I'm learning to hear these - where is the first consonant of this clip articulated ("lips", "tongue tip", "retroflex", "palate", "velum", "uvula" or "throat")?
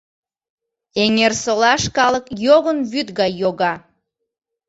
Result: velum